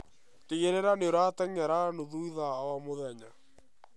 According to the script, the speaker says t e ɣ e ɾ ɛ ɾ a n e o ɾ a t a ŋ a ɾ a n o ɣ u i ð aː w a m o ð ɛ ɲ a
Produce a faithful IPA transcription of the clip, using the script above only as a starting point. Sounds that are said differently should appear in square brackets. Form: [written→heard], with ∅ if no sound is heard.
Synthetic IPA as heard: t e ɣ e ɾ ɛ ɾ a n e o ɾ a t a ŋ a ɾ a n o [ɣ→ð] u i ð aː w a m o ð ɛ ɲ a

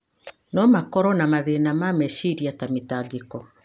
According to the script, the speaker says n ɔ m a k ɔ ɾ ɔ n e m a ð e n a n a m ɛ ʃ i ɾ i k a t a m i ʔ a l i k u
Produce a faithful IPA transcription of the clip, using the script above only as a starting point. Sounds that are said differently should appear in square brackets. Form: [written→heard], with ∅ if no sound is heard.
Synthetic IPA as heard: n ɔ m a k ɔ ɾ ɔ n [e→a] m a ð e n a [n→m] a m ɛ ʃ i ɾ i [k→∅] a t a m i [ʔ→t] a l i k [u→ɔ]

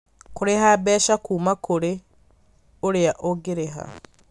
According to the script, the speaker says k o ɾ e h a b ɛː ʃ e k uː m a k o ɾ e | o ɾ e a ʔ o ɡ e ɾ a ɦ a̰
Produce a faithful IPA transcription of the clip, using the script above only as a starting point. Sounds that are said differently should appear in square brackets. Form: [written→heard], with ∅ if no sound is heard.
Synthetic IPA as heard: k o ɾ e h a b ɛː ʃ [e→a] k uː m a k o ɾ e | o ɾ e a ʔ o ɡ e ɾ [a→e] ɦ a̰

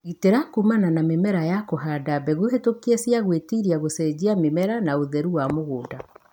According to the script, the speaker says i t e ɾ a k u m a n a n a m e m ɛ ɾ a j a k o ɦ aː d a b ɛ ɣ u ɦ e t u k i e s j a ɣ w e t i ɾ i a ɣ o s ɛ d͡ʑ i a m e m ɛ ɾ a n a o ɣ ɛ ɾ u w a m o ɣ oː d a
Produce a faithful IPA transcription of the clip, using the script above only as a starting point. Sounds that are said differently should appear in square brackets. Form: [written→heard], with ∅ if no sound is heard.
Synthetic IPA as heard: i t e ɾ a k u m a n a n a m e m ɛ ɾ a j a k o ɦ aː d a b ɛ ɣ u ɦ e t [u→o] k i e s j a ɣ w e t i ɾ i a ɣ o s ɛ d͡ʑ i a m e m ɛ ɾ a n a o [ɣ→ð] ɛ ɾ u w a m o ɣ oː d a

